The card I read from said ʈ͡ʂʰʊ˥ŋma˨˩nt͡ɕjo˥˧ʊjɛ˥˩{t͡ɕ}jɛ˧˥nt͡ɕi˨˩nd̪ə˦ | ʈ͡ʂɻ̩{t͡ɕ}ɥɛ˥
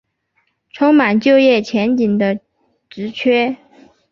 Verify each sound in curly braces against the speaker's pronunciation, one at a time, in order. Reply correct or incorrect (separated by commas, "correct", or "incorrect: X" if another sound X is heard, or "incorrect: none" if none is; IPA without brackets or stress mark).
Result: incorrect: t͡ɕʰ, incorrect: t͡ɕʰ